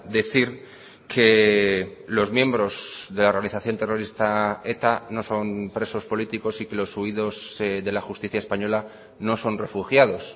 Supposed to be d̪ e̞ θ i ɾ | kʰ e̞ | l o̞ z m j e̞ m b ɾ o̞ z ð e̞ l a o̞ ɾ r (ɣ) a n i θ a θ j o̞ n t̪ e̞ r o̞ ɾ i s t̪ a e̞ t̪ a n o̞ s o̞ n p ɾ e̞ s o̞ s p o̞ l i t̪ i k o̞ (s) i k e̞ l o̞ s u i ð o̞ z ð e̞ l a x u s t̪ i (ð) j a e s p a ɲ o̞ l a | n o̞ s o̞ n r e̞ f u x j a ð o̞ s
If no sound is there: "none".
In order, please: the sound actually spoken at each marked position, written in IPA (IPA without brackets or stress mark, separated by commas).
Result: ɣ, s, θ